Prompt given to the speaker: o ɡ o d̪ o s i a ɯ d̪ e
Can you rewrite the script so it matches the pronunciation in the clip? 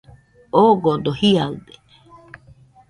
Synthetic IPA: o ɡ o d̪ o h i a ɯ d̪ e